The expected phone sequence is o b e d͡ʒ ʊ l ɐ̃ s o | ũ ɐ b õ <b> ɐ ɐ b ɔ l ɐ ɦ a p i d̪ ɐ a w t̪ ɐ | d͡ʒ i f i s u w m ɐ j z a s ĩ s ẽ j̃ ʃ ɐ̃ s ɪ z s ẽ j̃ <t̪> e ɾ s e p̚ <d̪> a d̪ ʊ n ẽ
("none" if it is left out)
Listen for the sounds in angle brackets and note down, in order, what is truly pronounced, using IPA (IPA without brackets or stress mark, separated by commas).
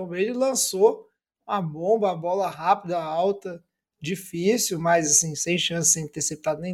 b, t̪, t̪